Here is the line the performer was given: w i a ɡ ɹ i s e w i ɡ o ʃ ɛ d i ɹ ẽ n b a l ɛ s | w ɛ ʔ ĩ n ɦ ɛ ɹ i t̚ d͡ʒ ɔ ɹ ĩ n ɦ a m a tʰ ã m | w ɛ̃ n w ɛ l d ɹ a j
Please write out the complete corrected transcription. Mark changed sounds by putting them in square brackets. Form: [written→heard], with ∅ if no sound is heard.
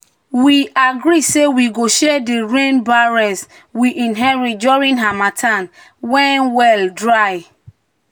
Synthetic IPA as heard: w i a ɡ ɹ i s e w i ɡ o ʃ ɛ d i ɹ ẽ n b a [l→ɹ] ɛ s | w [ɛ→i] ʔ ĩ n ɦ ɛ ɹ i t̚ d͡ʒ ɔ ɹ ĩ n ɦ a m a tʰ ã [m→n] | w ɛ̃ n w ɛ l d ɹ a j

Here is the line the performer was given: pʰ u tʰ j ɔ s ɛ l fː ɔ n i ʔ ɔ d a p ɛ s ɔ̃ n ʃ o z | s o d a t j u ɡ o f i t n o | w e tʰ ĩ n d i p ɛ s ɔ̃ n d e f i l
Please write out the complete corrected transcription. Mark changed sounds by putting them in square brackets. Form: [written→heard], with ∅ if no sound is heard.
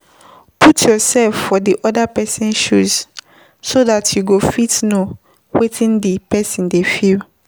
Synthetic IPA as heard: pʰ u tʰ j ɔ s ɛ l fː ɔ [n→d] i ʔ ɔ d a p ɛ s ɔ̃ n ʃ [o→u] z | s o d a t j u ɡ o f i t n o | w e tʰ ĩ n d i p ɛ s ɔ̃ n d e f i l

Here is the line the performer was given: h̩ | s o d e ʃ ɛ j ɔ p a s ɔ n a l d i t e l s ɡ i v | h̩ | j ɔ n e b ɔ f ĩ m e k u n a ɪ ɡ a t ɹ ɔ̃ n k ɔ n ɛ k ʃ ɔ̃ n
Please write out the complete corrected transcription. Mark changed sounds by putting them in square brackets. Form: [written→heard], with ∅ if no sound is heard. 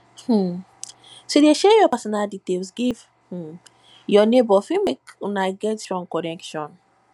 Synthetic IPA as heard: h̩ | s o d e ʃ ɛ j ɔ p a s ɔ n a l d i t e l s ɡ i v | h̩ | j ɔ n e b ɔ f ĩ m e k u n a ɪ ɡ [a→ɛ] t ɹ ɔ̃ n k ɔ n ɛ k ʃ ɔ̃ n

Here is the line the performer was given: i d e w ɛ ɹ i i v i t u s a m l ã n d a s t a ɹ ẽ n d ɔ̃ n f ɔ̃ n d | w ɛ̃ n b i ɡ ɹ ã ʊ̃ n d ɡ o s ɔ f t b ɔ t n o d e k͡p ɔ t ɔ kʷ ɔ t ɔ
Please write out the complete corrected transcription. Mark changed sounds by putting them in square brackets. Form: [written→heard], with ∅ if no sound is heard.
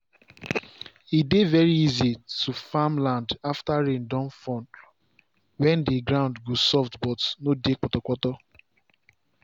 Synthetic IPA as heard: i d e [w→v] ɛ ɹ i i [v→z] i t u [s→f] a m l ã n d a [s→f] t a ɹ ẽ n d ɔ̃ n f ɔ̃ n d | w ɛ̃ n [b→d] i ɡ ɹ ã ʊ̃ n d ɡ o s ɔ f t b ɔ t n o d e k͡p ɔ t ɔ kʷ ɔ t ɔ

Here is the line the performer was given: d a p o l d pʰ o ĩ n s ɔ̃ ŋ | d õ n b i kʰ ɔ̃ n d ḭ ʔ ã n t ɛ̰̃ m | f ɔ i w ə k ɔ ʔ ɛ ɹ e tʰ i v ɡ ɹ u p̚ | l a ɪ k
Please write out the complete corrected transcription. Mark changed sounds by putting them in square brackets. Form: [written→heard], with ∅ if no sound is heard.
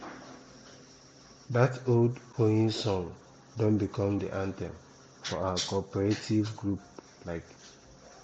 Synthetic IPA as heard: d a [p→t] o l d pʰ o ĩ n s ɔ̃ ŋ | d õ n b i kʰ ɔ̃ [n→m] d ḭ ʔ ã n t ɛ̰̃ m | f ɔ [i→a] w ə k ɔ [ʔ→p] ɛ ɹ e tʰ i v ɡ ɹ u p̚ | l a ɪ k

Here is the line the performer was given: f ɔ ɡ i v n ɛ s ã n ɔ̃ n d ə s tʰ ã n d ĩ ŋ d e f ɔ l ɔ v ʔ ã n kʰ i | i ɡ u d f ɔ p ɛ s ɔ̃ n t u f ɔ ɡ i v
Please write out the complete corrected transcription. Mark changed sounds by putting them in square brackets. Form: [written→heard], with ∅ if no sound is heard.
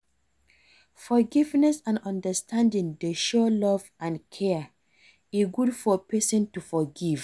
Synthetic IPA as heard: f ɔ ɡ i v n ɛ s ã n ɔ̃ n d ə s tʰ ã n d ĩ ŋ d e [f→ʃ] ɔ l ɔ v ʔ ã n kʰ [i→ɛ] | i ɡ u d f ɔ p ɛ s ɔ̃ n t u f ɔ ɡ i v

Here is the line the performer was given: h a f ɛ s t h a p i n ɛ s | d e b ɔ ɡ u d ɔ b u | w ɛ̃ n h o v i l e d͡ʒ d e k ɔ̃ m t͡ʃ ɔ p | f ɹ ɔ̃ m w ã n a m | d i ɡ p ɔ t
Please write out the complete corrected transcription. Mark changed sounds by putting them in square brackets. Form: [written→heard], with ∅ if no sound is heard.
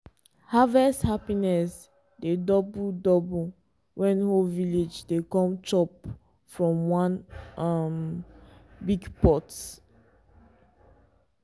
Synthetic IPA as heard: h a [f→v] ɛ s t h a p i n ɛ s | d e [b→d] ɔ [ɡ→b] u d ɔ b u | w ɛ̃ n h o v i l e d͡ʒ d e k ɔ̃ m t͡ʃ ɔ p | f ɹ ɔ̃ m w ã n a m | [d→b] i ɡ p ɔ t

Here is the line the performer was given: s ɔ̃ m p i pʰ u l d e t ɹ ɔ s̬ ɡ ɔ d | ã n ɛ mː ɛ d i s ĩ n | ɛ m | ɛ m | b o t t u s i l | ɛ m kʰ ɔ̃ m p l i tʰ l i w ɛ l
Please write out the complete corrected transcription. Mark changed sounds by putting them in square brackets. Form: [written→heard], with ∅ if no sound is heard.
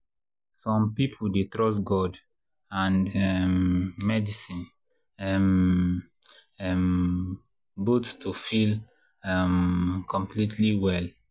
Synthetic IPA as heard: s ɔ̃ m p i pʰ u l d e t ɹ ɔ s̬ ɡ ɔ d | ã n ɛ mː ɛ d i s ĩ n | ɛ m | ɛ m | b o t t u [s→f] i l | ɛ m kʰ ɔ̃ m p l i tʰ l i w ɛ l

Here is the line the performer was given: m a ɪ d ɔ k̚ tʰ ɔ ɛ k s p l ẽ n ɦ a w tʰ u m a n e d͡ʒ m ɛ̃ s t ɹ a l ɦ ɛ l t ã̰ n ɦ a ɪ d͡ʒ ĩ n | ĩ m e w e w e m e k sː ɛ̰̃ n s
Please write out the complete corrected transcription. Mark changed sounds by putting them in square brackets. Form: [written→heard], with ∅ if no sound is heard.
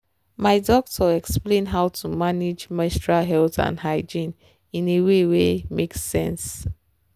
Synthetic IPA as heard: m a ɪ d ɔ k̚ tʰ ɔ ɛ k s p l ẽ n ɦ a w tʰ u m a n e d͡ʒ m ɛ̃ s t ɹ a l ɦ ɛ l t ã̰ n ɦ a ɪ d͡ʒ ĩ n | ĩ [m→n] e w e w e m e k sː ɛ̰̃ n s

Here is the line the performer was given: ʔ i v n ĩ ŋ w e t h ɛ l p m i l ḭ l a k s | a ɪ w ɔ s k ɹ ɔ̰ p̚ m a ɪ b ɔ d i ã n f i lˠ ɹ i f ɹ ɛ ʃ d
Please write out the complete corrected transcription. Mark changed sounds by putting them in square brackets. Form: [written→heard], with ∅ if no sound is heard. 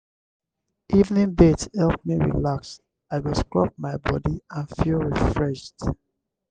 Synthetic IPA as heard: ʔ i v n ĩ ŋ [w→b] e t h ɛ l p m i [l→ɹ] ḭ l a k s | a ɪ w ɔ s k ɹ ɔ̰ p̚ m a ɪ b ɔ d i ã n f i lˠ ɹ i f ɹ ɛ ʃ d

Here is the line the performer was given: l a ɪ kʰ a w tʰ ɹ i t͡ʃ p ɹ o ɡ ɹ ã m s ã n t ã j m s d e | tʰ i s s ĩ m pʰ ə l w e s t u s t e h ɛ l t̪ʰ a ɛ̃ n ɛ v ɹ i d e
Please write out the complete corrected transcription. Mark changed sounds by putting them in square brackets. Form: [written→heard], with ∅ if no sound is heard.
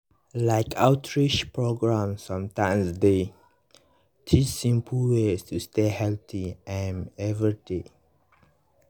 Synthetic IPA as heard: l a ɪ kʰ a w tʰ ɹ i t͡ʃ p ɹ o ɡ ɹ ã m s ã [n→m] t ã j m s d e | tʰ i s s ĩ m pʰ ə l w e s t u s t e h ɛ l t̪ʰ [a→i] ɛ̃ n ɛ v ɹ i d e

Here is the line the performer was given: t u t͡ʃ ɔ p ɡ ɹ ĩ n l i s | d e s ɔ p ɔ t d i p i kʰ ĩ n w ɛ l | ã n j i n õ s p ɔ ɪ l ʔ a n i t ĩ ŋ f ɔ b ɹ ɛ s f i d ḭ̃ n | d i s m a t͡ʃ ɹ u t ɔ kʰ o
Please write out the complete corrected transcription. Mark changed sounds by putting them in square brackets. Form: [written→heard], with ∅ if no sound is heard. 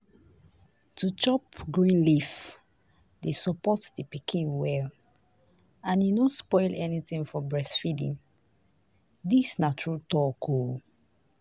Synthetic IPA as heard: t u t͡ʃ ɔ p ɡ ɹ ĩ n l i [s→f] | d e s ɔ p ɔ t d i p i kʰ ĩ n w ɛ l | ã n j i n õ s p ɔ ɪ l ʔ [a→ɛ] n i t ĩ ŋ f ɔ b ɹ ɛ s f i d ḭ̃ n | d i s [m→n] a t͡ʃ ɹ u t ɔ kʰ o

